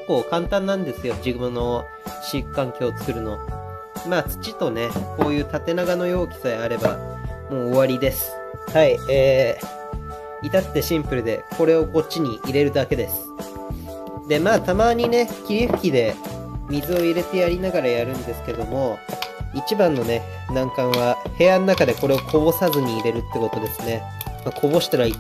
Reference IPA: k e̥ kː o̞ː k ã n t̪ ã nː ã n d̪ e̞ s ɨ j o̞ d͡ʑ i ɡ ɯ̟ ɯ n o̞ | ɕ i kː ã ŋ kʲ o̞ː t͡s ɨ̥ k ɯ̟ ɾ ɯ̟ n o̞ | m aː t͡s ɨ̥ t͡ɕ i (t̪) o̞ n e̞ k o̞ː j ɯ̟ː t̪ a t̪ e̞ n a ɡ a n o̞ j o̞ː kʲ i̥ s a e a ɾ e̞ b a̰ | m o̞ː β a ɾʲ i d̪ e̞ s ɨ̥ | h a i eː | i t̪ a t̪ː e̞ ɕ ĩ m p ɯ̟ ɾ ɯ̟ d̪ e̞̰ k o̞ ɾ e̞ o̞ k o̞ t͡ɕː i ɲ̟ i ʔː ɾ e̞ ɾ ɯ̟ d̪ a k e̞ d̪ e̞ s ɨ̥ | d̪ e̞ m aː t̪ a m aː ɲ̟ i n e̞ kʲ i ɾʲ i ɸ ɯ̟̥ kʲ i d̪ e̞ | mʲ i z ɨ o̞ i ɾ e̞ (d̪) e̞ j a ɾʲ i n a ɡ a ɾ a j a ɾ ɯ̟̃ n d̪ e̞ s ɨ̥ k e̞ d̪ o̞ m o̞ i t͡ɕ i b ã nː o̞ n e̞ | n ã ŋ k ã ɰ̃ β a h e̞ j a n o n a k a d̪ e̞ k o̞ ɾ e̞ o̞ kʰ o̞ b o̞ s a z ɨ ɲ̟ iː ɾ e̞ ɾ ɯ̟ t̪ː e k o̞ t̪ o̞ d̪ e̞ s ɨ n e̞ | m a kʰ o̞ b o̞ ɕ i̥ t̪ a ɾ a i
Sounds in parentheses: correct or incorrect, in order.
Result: correct, incorrect: t̪

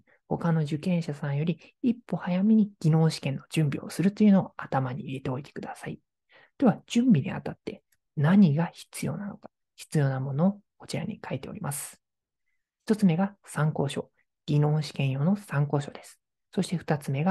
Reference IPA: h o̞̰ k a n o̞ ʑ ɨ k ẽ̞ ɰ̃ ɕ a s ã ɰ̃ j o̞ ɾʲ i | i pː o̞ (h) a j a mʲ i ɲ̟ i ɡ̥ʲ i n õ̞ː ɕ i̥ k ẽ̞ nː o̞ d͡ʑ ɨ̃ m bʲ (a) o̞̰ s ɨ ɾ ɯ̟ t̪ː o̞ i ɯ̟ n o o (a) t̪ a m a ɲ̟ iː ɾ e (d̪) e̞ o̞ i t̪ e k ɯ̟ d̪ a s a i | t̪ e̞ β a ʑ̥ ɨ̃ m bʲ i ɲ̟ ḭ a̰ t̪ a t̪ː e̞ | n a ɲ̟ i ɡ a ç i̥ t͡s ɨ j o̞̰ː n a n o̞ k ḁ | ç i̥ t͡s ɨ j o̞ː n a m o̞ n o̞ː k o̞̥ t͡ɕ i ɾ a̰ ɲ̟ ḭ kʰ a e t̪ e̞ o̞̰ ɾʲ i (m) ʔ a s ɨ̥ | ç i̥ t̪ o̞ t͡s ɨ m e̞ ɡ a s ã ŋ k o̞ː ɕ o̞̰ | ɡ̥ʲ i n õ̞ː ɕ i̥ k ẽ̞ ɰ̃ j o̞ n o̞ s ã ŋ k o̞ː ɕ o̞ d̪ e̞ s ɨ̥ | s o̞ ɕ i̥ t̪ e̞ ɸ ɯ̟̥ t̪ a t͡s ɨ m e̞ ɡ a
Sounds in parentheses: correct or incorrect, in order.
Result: correct, incorrect: i, correct, incorrect: t̪, correct

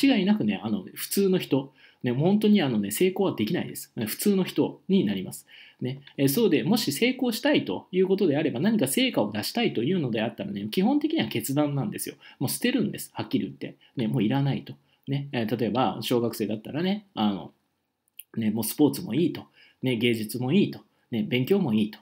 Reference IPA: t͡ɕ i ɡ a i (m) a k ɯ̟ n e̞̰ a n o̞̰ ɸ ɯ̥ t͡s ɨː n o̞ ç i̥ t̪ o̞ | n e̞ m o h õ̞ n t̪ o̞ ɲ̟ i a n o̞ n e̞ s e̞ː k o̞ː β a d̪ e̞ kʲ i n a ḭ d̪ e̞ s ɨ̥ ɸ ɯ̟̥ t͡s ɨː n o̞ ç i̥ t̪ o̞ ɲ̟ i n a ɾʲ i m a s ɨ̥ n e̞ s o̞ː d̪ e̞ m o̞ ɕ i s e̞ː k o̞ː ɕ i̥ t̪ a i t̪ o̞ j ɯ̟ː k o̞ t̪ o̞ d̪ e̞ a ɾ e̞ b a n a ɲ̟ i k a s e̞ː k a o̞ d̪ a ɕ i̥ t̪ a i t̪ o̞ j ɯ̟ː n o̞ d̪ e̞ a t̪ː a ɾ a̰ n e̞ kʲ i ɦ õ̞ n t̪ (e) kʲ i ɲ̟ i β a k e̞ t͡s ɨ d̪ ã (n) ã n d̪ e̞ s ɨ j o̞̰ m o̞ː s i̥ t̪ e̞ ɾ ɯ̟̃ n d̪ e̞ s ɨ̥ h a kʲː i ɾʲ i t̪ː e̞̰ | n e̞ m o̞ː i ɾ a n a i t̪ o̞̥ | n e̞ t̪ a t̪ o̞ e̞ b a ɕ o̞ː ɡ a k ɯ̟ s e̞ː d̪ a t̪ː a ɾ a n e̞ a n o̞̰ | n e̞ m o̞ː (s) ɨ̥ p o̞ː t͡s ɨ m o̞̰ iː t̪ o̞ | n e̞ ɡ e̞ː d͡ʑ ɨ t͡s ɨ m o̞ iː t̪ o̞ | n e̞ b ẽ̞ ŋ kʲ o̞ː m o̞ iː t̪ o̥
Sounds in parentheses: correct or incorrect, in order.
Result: incorrect: n, correct, incorrect: nː, correct

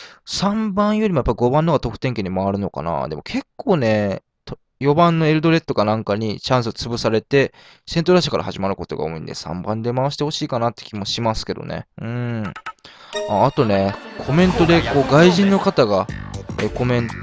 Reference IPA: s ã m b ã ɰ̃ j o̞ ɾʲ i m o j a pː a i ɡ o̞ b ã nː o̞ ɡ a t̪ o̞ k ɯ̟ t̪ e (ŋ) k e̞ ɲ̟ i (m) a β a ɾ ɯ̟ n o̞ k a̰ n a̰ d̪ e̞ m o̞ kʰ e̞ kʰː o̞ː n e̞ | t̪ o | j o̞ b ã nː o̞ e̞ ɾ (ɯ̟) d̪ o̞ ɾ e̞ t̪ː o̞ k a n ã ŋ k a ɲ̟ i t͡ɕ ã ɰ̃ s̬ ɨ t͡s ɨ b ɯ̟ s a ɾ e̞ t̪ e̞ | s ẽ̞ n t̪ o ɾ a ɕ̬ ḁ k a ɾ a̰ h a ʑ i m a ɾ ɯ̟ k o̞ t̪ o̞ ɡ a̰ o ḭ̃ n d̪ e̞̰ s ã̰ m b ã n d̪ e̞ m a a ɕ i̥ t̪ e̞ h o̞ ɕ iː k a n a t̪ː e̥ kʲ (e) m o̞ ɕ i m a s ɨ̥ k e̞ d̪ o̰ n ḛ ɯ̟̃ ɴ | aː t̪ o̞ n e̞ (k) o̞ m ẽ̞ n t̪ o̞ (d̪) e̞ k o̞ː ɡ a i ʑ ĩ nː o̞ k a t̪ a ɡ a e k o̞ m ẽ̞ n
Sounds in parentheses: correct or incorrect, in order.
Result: correct, correct, correct, incorrect: i, incorrect: kʰ, correct

